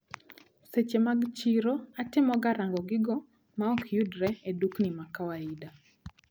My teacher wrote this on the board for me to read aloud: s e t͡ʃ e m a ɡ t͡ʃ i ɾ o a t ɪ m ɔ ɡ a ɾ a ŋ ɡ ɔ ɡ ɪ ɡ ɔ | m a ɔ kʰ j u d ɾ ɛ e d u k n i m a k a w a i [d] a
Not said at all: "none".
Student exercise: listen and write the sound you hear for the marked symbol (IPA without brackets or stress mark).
d